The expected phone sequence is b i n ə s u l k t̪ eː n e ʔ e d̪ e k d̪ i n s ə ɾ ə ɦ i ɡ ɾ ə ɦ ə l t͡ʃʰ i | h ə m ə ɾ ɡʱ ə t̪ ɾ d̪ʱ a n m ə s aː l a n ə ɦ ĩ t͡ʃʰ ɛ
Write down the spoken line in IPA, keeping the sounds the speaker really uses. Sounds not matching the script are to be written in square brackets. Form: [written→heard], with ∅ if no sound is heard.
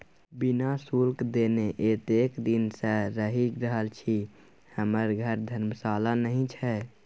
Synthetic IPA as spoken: b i n [ə→a] s u l k [t̪→d̪] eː n e ʔ e [d̪→t̪] e k d̪ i n s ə ɾ ə ɦ i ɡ ɾ ə ɦ ə l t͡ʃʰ i | h ə m ə ɾ ɡʱ ə [t̪→∅] ɾ d̪ʱ [a→ə] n m ə s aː l a n ə ɦ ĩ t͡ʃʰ ɛ